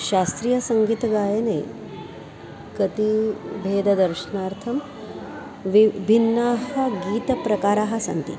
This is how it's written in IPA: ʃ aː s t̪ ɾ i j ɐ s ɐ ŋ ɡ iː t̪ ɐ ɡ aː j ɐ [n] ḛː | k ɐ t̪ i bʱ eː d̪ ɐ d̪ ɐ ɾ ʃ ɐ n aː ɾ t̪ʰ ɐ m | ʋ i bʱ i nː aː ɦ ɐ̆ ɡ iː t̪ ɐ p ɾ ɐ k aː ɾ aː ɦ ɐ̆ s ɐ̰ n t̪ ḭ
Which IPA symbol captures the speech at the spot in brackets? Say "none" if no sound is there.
n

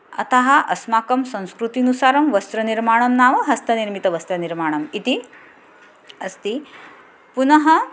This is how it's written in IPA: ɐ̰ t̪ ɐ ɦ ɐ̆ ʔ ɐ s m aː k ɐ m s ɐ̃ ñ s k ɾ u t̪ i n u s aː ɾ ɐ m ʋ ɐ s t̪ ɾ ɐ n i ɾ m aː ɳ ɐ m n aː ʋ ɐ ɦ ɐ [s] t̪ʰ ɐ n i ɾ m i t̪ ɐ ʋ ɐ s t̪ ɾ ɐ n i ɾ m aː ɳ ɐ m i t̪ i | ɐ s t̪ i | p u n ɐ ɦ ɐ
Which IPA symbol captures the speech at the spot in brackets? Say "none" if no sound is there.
s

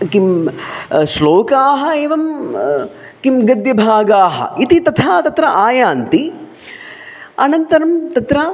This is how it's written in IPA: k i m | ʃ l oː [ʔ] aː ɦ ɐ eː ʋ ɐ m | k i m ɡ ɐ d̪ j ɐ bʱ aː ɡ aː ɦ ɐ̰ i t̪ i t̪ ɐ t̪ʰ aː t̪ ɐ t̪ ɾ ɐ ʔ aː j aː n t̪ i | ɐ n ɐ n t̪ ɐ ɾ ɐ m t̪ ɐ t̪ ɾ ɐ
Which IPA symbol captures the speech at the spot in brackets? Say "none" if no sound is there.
k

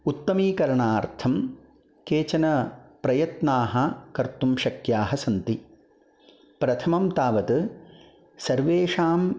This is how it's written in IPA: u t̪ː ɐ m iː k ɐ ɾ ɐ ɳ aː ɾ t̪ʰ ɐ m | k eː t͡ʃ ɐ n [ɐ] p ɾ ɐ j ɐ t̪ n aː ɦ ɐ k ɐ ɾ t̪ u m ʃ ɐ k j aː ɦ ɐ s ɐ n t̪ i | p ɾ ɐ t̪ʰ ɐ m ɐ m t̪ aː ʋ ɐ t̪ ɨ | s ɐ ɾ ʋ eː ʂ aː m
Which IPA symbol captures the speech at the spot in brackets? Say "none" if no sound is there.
ɐ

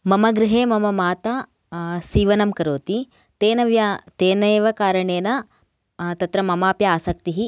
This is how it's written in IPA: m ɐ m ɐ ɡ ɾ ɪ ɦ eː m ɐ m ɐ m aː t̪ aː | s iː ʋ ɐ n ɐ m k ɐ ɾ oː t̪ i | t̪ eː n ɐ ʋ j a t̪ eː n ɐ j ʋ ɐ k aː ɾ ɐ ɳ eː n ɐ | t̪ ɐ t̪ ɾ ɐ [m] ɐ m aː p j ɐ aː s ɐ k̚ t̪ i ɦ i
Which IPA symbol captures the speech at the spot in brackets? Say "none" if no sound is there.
m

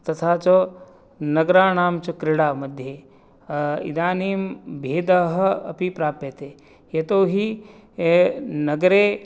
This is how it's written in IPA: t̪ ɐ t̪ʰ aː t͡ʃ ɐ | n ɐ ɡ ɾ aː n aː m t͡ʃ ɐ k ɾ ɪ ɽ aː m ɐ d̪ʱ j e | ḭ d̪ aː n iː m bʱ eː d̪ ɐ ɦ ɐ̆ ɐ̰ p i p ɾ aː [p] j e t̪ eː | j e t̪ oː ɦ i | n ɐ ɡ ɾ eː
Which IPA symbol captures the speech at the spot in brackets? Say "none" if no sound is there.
p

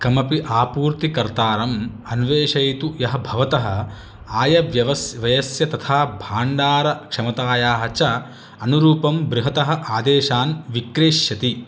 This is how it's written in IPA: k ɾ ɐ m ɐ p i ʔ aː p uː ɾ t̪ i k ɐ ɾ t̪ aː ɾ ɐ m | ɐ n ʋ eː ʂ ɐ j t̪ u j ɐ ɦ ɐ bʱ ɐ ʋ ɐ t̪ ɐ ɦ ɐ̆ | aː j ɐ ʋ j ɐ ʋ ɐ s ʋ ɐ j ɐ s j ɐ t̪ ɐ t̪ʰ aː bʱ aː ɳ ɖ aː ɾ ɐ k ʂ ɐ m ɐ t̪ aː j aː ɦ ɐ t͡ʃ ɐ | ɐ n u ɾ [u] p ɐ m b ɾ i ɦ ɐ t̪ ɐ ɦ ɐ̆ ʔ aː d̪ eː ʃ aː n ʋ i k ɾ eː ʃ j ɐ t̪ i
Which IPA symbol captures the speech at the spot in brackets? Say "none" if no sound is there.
uː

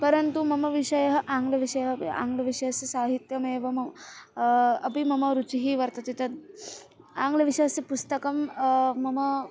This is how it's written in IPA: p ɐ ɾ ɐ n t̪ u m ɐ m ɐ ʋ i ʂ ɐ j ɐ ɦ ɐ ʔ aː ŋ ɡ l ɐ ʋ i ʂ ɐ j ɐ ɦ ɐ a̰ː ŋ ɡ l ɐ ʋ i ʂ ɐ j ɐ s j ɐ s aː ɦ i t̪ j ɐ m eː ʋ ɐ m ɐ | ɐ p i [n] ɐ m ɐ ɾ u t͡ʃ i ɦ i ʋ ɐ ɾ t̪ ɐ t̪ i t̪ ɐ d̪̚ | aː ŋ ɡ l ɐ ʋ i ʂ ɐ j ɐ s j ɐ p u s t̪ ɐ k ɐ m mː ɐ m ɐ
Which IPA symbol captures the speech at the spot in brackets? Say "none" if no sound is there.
m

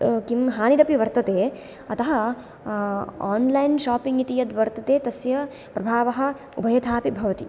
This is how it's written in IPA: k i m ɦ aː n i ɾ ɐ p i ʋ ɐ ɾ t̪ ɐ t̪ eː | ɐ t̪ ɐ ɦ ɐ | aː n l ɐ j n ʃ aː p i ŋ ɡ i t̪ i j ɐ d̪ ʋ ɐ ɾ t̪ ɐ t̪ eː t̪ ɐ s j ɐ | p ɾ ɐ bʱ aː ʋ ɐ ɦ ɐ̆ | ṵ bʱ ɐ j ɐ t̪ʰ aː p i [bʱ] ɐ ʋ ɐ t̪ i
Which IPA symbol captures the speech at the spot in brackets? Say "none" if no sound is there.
bʱ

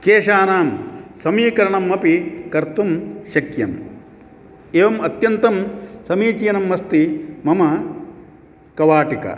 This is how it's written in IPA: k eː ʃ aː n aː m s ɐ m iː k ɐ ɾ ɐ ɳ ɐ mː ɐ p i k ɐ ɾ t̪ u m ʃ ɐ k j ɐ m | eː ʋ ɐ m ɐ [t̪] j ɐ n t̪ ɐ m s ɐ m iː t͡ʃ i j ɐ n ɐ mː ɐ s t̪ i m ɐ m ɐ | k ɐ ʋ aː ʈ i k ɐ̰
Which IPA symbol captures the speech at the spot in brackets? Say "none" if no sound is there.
t̪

